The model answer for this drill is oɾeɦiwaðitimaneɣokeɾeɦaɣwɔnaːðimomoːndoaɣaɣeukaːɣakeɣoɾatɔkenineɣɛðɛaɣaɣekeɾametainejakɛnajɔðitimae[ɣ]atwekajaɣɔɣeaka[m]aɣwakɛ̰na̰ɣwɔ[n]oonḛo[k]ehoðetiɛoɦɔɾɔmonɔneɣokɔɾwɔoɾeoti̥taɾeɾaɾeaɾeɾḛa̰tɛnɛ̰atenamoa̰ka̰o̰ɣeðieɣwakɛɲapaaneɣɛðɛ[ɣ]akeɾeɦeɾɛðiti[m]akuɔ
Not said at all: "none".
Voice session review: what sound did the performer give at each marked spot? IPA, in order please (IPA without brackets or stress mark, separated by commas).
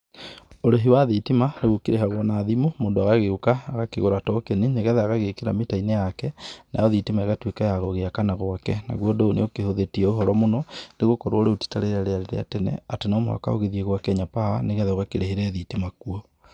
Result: ɣ, n, d, k, ɣ, m